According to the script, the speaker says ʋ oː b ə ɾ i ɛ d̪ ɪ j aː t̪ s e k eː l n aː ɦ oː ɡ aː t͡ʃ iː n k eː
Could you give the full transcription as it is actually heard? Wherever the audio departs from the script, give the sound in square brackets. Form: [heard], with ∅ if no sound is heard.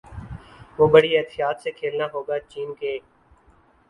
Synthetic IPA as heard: ʋ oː b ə [ɽ] i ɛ [t̪] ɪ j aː t̪ s e [kʰ] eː l n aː ɦ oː ɡ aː t͡ʃ iː n k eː